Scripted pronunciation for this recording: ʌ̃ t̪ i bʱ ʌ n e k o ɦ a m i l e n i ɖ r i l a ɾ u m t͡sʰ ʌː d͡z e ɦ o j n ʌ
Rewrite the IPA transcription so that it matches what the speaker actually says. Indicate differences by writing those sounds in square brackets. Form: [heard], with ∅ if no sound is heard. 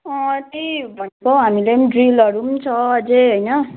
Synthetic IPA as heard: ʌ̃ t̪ i bʱ ʌ n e k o ɦ a m i l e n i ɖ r i l [ʌ] ɾ u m t͡sʰ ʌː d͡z e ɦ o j n ʌ